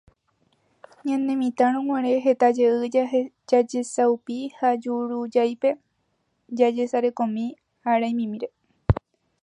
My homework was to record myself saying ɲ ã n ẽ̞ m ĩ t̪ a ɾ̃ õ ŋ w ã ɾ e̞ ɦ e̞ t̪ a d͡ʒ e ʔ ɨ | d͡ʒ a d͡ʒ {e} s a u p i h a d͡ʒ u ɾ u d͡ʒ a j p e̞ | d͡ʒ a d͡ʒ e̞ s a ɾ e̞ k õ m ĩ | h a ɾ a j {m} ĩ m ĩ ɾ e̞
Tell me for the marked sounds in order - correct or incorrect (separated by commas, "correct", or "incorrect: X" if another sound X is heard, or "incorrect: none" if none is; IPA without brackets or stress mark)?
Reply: correct, correct